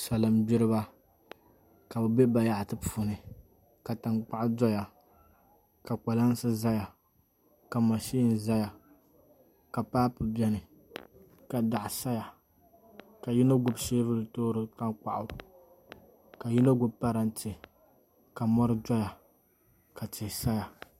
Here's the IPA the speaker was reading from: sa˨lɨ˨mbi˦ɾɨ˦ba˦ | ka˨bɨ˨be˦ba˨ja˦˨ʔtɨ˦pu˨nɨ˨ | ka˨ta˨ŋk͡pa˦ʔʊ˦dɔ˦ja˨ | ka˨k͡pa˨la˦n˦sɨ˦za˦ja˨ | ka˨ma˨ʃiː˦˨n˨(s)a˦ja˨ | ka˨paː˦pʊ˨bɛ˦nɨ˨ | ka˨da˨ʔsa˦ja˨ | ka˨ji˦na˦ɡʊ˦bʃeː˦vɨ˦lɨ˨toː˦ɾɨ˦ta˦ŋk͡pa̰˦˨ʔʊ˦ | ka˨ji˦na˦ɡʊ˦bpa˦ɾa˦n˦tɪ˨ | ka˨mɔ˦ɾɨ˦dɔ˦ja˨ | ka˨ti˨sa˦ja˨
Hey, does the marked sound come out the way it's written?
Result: no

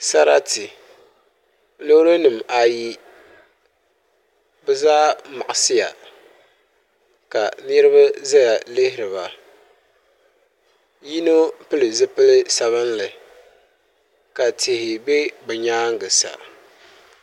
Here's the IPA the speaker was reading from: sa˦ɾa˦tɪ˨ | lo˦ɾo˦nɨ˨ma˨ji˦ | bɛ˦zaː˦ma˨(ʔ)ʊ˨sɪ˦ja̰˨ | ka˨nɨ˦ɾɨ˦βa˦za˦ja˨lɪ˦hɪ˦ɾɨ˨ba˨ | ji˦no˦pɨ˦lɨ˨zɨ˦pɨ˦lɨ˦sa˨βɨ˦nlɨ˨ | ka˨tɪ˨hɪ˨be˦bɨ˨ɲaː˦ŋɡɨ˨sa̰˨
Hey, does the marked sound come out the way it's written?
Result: yes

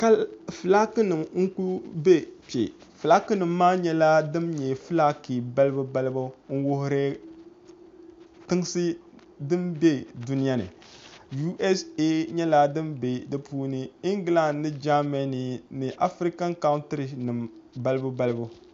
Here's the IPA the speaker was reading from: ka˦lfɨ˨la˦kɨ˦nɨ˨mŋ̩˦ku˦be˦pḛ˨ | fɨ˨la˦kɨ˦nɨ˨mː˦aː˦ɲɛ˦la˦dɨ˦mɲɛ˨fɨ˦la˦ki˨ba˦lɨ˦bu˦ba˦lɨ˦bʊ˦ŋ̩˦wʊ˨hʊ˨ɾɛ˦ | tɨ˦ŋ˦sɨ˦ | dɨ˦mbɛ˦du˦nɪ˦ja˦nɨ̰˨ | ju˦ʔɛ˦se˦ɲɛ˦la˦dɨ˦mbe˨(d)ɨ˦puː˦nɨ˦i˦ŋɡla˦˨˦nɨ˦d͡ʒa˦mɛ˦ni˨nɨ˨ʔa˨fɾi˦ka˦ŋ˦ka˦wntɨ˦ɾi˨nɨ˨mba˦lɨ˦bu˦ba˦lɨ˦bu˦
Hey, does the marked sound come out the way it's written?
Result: yes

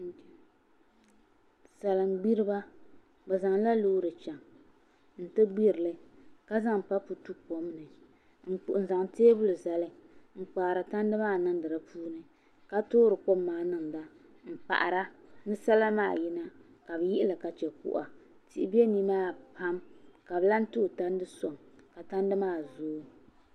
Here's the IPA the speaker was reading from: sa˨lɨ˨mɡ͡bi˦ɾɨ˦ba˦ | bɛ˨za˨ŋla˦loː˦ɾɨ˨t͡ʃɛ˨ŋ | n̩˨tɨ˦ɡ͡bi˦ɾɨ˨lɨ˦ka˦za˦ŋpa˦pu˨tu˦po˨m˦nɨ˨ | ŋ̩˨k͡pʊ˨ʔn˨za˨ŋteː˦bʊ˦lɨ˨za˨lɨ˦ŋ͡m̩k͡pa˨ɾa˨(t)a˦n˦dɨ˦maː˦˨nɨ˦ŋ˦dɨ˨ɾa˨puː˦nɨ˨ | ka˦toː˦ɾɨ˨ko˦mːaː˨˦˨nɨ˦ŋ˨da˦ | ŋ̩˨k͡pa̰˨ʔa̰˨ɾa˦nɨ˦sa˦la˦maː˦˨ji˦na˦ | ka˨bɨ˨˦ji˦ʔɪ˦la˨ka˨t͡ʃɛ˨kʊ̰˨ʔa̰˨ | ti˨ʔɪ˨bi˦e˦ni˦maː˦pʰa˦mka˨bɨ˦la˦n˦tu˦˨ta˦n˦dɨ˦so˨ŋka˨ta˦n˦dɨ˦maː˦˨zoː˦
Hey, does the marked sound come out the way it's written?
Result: yes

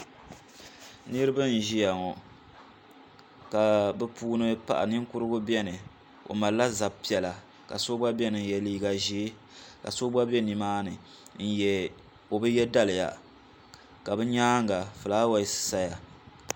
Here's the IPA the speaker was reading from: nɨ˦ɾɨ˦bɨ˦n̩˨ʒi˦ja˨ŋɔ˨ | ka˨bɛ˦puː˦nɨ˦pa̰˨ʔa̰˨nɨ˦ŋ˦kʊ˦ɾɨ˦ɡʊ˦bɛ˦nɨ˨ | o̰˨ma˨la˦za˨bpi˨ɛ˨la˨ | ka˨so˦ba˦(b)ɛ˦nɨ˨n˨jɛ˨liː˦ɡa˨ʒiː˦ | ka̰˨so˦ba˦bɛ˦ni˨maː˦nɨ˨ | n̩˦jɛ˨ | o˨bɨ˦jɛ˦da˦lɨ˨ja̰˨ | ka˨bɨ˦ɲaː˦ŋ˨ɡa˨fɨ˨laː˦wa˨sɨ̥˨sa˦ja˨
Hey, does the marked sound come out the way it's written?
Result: yes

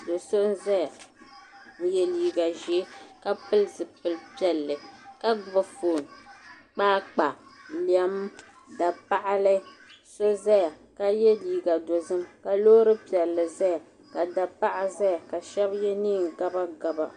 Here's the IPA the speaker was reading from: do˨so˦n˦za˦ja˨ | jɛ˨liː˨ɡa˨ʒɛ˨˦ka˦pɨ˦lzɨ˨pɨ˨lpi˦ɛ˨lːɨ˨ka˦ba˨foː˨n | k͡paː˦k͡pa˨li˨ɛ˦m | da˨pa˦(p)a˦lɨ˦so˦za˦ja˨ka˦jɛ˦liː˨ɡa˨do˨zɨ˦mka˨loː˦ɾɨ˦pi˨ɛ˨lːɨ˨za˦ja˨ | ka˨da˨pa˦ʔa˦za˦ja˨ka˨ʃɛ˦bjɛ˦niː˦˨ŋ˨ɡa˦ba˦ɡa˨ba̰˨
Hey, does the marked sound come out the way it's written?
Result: no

